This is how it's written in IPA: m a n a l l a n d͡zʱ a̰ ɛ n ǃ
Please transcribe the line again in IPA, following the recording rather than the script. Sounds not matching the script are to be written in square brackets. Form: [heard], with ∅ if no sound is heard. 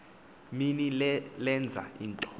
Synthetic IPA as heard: m [i] n [i] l l [ɛ] n d͡zʱ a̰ [i] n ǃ